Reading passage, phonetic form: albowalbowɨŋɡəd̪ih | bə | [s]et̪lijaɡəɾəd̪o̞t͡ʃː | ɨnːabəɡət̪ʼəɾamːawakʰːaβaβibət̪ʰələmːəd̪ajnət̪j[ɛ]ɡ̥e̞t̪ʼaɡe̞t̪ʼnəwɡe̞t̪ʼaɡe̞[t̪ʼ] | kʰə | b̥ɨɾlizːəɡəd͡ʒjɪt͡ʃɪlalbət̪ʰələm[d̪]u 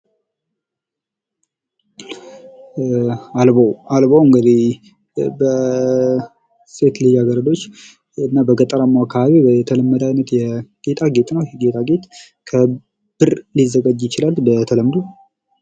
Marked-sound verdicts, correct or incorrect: correct, correct, incorrect: t̪, correct

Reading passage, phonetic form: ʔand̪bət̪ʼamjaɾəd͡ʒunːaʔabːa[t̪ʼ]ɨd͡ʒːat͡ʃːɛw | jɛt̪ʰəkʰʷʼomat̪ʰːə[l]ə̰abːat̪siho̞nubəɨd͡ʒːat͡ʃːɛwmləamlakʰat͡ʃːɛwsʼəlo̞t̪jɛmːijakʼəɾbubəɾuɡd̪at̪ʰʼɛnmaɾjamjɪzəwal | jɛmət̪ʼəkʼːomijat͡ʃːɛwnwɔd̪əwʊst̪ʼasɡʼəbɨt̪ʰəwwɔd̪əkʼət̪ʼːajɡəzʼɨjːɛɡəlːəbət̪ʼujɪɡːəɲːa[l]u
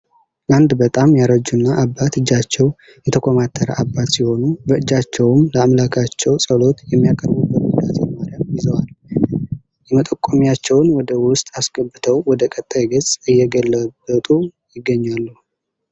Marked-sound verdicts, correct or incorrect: incorrect: t̪, incorrect: ɾ, incorrect: lː

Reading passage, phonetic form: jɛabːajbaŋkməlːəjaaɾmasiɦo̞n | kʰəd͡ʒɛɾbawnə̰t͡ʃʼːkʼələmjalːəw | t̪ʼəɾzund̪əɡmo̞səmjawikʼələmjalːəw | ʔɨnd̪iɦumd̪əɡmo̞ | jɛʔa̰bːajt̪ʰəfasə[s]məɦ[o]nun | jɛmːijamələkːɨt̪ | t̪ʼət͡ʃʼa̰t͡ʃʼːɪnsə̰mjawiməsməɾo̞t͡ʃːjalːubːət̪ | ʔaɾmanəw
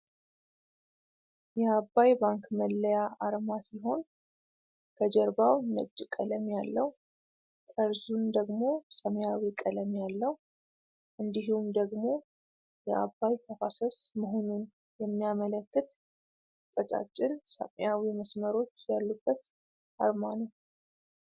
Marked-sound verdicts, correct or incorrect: correct, correct

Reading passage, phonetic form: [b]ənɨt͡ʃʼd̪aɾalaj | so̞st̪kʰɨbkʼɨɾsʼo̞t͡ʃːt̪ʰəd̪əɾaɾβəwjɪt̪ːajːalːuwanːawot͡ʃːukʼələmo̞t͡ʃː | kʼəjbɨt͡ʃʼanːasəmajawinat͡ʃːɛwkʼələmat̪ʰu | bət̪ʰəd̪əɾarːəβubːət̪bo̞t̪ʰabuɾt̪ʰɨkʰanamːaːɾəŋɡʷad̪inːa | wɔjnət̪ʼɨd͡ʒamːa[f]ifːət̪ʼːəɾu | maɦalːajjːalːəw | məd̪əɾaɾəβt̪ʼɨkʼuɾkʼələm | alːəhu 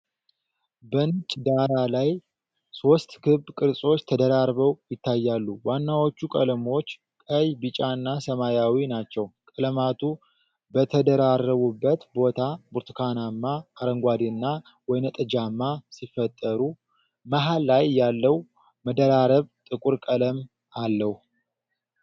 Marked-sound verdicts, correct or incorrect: correct, incorrect: s

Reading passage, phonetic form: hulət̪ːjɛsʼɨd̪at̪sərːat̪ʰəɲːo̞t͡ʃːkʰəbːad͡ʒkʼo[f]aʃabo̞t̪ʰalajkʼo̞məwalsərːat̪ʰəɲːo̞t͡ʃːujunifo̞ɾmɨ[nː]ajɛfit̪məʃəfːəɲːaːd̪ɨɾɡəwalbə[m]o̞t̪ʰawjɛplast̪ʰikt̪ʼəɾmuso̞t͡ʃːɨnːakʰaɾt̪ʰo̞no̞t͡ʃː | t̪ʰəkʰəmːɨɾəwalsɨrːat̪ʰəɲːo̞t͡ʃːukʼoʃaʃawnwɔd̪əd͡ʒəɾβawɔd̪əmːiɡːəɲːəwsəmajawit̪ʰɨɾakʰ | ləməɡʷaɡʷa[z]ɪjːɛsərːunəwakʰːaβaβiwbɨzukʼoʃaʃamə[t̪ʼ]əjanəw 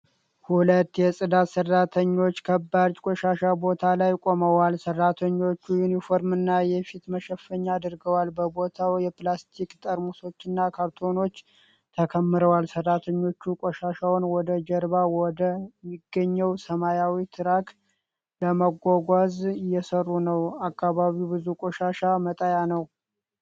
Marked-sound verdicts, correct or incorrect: incorrect: ʃ, correct, incorrect: b, correct, correct

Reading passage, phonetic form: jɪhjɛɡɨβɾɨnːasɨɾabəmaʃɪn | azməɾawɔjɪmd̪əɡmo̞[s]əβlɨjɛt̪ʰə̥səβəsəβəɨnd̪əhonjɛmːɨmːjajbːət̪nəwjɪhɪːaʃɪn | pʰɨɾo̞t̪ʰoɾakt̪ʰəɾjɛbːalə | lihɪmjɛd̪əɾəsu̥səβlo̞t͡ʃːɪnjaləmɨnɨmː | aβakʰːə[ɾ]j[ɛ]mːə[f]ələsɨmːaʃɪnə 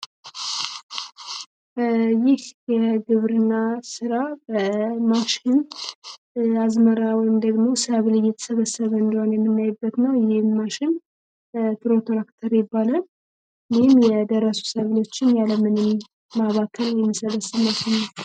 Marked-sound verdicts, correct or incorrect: correct, incorrect: l, correct, incorrect: s

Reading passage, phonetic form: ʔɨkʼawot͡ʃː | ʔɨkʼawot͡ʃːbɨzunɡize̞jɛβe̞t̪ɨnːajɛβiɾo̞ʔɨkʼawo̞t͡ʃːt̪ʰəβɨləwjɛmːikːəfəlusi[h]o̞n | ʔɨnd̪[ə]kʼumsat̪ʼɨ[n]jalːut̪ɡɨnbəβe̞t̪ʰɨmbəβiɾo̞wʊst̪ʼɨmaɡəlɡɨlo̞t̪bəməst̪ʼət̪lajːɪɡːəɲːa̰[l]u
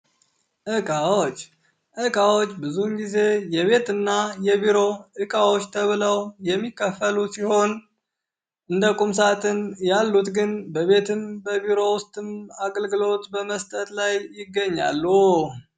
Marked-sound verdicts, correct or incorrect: correct, correct, correct, incorrect: lː

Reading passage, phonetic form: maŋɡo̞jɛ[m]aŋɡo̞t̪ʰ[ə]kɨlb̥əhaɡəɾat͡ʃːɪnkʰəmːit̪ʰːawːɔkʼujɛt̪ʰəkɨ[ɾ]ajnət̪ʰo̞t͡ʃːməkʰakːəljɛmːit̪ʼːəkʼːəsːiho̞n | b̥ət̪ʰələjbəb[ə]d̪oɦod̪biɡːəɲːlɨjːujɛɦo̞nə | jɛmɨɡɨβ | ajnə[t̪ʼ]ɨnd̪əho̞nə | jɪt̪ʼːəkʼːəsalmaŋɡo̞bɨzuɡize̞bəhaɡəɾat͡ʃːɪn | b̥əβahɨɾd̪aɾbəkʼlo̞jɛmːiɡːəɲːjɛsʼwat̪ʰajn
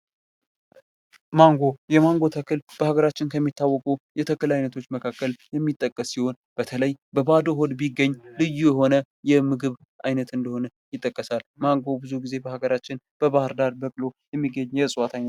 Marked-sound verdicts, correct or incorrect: correct, correct, incorrect: l, incorrect: a, incorrect: t̪

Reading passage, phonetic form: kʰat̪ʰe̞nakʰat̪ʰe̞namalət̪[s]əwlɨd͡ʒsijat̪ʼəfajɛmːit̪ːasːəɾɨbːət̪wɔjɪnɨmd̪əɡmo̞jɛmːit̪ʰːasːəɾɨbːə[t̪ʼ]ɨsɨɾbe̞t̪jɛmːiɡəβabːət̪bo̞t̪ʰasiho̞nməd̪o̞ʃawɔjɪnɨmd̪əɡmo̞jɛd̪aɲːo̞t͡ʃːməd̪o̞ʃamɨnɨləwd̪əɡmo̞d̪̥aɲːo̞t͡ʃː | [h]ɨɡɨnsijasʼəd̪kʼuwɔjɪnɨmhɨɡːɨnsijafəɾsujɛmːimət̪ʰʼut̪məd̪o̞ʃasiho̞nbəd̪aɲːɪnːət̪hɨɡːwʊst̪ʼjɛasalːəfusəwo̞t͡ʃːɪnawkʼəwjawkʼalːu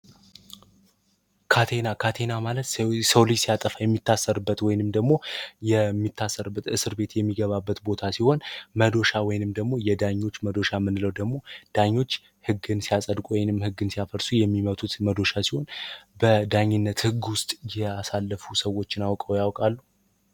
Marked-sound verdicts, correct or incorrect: correct, incorrect: t̪, correct

